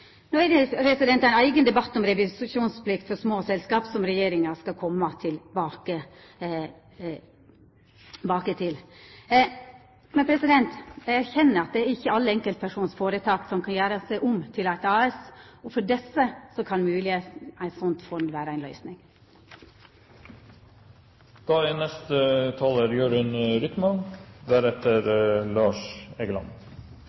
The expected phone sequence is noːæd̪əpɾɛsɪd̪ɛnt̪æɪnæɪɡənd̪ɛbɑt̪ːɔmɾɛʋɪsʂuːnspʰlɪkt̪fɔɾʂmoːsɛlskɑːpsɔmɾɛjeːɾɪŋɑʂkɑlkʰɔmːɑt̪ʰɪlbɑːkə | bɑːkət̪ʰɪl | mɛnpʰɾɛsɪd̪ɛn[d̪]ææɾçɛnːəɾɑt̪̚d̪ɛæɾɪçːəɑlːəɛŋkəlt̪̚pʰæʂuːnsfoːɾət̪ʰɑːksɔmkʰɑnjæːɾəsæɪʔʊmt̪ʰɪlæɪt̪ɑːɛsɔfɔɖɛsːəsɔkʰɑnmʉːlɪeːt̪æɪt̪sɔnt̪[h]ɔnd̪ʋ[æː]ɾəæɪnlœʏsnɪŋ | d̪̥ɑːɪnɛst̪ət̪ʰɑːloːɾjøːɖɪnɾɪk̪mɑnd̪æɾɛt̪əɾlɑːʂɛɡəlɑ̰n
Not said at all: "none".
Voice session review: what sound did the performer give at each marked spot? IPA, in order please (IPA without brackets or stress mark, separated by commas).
t̪, f, æː